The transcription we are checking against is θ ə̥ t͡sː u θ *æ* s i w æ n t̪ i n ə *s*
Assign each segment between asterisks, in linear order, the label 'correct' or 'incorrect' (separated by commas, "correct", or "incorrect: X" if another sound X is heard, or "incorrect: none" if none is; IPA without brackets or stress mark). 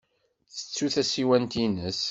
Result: correct, correct